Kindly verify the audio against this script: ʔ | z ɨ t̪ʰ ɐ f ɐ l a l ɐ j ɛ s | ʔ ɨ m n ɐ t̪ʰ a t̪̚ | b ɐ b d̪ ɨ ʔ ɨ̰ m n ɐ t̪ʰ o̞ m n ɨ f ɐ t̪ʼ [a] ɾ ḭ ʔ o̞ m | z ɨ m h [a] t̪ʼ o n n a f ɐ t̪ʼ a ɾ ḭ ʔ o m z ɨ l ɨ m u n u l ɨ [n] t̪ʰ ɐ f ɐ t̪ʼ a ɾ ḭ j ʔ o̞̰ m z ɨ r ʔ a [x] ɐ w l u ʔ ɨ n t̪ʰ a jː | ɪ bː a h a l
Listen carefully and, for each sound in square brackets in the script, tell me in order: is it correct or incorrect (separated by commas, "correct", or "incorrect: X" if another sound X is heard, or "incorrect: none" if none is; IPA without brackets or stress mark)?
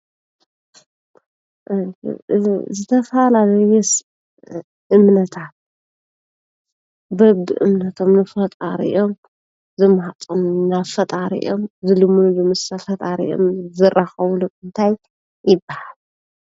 correct, correct, incorrect: m, correct